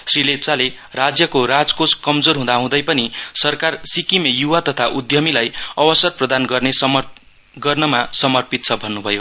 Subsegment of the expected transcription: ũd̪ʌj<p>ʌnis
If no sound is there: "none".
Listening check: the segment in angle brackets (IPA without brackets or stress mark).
p